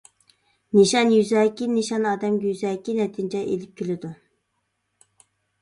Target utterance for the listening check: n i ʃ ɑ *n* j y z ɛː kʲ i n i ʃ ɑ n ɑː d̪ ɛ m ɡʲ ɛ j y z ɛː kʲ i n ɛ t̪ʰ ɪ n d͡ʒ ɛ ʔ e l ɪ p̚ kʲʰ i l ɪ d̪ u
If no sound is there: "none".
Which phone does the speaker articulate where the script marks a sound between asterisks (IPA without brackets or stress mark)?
n